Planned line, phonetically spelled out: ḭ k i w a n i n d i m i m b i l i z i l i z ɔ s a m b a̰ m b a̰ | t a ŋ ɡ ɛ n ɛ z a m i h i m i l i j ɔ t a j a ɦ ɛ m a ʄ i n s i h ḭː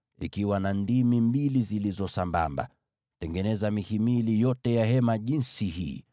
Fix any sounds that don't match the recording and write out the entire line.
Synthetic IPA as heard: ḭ k i w a n a n d i m i m b i l i z i l i z ɔ s a m b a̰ m b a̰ | t ɛ ŋ ɡ ɛ n ɛ z a m i h i m i l i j ɔ t ɛ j a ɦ ɛ m a ʄ i n s i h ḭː